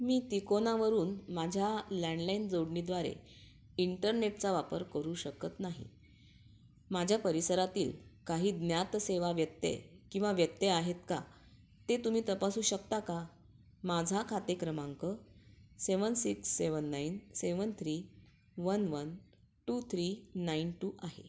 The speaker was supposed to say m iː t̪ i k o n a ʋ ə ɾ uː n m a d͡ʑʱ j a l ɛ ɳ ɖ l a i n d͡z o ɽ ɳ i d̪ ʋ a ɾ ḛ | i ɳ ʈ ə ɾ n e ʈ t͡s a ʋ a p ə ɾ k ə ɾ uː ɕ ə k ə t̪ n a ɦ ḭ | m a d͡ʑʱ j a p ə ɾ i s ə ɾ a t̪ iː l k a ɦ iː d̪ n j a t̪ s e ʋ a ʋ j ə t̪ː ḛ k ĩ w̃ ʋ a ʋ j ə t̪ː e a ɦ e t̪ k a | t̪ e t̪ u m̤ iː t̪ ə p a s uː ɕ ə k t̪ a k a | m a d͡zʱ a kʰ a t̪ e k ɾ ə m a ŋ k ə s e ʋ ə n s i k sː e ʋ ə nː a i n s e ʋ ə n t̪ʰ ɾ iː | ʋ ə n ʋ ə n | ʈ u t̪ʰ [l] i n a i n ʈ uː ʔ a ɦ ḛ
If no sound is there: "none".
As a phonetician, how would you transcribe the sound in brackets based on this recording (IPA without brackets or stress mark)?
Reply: ɾ